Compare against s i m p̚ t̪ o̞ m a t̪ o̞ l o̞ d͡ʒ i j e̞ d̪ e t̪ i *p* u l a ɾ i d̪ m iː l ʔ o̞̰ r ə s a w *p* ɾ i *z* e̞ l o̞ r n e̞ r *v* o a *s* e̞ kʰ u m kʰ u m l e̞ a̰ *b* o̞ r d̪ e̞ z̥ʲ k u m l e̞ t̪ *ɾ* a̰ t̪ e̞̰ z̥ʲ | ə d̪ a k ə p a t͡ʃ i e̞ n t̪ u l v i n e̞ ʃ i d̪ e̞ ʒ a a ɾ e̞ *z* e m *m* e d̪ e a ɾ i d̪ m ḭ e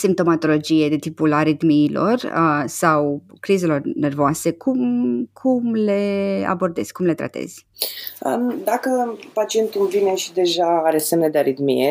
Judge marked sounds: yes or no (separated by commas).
yes, no, yes, yes, yes, yes, yes, no, no